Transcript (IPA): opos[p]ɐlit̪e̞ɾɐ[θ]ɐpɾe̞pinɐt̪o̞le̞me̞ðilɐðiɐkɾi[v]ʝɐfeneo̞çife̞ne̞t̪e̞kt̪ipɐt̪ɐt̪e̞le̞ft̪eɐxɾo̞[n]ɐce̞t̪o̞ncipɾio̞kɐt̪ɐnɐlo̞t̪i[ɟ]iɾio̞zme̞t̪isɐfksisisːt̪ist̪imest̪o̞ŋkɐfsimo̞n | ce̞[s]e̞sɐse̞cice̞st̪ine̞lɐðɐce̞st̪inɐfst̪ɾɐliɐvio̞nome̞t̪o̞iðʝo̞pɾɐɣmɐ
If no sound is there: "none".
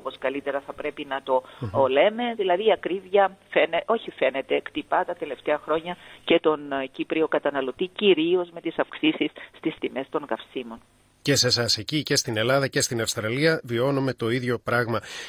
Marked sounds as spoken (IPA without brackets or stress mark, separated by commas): k, θ, v, ɲ, c, s